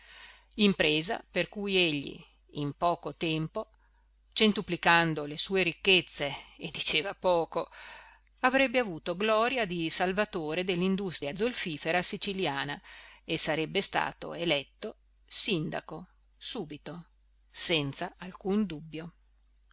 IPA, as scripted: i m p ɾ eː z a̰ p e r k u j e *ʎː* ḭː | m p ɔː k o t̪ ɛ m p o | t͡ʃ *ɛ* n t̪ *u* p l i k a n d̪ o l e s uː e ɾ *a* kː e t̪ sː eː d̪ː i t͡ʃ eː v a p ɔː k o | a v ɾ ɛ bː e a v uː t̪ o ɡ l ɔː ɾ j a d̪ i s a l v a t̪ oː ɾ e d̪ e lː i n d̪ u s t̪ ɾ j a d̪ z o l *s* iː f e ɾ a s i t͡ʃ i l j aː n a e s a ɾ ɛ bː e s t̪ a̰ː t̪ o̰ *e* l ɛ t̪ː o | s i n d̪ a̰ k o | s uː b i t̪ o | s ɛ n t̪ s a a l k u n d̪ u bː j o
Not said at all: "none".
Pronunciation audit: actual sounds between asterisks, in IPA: ʎː, e, u, i, f, e

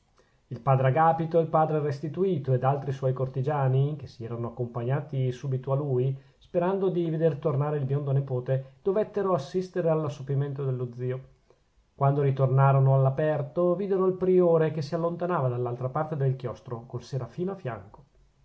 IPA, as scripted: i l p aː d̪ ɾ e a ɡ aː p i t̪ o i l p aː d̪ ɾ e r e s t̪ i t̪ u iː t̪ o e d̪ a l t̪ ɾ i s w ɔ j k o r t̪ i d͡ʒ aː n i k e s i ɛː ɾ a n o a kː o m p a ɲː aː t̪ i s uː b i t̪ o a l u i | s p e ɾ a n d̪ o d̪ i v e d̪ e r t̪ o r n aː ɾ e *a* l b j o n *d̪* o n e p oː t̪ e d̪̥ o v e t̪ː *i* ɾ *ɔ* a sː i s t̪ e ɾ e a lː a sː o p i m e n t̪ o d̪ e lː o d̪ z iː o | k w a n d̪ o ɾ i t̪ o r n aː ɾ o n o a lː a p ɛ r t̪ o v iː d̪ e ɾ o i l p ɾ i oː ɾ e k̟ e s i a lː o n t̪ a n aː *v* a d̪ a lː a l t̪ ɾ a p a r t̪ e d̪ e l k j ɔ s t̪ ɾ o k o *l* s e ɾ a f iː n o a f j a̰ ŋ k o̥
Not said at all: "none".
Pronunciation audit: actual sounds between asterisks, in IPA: i, d̪, e, o, v, l

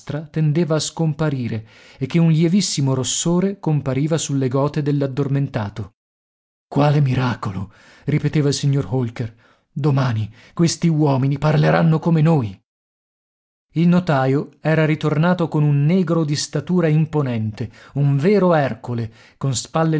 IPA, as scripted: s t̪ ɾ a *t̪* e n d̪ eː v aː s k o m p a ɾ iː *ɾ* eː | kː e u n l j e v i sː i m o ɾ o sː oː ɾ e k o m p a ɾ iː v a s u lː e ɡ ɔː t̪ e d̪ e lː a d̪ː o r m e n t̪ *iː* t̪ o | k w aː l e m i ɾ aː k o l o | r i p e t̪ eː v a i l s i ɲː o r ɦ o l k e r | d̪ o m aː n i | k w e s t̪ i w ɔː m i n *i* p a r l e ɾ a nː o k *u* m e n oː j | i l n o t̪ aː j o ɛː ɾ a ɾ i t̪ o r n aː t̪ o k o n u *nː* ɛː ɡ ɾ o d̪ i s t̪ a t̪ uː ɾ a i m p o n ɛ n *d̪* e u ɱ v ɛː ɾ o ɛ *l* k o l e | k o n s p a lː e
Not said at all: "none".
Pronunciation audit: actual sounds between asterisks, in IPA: t̪, ɾ, aː, i, o, nː, t̪, r

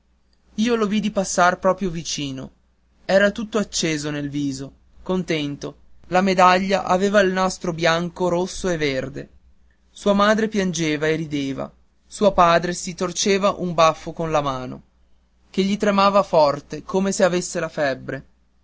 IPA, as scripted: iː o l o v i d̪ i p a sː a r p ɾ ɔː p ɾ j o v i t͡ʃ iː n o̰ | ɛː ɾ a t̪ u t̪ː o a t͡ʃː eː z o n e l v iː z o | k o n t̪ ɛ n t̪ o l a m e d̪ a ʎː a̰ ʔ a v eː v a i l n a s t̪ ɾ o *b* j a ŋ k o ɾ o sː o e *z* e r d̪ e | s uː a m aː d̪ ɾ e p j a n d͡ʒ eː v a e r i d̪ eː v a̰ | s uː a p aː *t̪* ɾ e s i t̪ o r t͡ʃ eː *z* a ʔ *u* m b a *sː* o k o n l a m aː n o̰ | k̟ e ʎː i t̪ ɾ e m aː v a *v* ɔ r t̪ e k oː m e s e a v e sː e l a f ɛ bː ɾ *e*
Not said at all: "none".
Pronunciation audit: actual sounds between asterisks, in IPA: b, v, d̪, v, u, fː, f, e

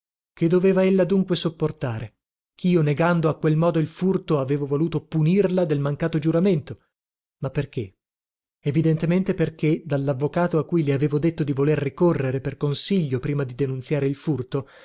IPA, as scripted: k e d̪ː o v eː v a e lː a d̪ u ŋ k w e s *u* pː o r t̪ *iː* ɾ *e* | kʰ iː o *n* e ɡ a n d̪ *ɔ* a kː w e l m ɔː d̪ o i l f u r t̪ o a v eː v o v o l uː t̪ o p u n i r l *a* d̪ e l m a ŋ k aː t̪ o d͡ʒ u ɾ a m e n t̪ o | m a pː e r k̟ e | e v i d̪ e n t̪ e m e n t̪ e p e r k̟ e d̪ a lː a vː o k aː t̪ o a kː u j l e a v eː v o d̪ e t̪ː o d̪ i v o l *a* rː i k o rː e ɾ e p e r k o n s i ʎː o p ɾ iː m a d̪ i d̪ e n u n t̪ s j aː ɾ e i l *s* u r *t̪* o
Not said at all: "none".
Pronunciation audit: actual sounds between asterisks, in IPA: o, aː, e, n, o, a, e, f, t̪

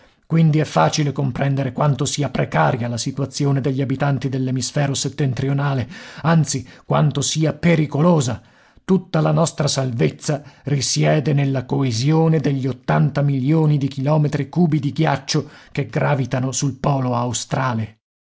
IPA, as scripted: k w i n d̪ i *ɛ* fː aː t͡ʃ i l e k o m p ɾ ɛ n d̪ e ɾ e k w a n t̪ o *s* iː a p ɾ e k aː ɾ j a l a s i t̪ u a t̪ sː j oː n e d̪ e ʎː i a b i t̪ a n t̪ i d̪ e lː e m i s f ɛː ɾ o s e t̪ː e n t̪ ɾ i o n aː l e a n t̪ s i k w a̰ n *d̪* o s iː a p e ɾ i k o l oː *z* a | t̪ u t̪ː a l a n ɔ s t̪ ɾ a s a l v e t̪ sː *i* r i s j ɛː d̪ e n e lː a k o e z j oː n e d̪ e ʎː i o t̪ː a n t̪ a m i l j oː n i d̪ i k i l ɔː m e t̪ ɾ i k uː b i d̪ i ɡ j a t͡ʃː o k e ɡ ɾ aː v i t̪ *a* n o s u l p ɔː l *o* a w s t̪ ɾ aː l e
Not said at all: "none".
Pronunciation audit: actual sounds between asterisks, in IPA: ɛ, s, t̪, z, a, a, o

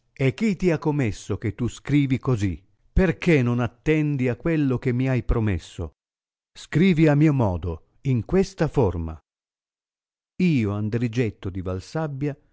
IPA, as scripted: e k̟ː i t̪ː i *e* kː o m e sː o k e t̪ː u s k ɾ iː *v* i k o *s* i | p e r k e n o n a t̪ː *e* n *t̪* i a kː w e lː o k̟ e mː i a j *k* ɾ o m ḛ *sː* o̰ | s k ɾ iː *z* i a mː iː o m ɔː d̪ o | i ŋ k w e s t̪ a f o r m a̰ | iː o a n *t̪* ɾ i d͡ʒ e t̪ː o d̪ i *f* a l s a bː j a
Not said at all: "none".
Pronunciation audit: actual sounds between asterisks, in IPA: a, v, z, ɛ, d̪, p, sː, v, d̪, v

